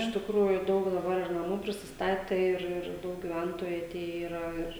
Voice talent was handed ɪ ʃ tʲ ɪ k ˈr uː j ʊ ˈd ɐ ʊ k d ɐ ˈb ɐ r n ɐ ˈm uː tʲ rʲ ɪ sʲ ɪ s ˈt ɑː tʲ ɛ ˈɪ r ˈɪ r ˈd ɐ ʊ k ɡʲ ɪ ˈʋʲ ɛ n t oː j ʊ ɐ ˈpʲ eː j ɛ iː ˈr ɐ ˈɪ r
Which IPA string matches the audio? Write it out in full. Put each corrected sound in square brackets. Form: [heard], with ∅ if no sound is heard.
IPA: ɪ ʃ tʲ ɪ k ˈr uː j ʊ ˈd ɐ ʊ k d ɐ ˈb ɐ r n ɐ ˈm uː [pʲ] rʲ ɪ sʲ ɪ s ˈt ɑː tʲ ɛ ˈɪ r ˈɪ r ˈd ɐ ʊ k ɡʲ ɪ ˈʋʲ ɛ n t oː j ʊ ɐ [ˈtʲ] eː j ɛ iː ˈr ɐ ˈɪ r